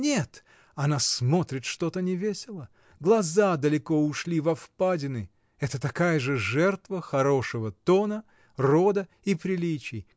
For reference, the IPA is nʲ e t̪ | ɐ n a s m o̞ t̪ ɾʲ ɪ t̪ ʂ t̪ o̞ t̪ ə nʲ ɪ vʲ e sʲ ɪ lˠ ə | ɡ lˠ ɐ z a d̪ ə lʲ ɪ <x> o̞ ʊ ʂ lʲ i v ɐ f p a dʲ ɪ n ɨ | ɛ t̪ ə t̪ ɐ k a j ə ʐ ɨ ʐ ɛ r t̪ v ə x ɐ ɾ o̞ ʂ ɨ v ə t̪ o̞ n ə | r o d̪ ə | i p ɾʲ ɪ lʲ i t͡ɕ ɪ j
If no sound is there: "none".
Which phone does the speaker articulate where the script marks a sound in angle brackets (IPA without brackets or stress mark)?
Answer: k